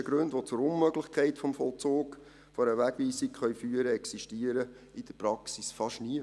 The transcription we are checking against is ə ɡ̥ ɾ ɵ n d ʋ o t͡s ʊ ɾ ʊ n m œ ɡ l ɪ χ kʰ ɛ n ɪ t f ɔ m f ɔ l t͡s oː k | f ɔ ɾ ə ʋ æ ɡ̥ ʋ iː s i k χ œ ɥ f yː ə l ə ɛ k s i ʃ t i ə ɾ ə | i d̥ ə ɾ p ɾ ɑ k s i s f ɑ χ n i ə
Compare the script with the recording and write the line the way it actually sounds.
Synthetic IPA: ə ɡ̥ ɾ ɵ n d ʋ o t͡s ʊ ɾ ʊ n m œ ɡ l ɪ χ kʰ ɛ ɪ t f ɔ m f ɔ l t͡s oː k | f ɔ ɾ ə ʋ æ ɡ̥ ʋ iː s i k χ œ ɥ f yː ə ɾ ə ɛ k s i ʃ t i ə ɾ ə | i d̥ ə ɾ p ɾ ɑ k s i s f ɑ ʃ n i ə